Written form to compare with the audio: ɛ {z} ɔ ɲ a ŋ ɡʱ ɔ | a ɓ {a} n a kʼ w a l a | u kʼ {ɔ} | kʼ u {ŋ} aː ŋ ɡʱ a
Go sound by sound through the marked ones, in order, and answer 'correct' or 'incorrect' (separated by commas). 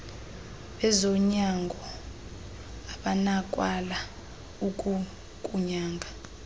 correct, correct, incorrect, incorrect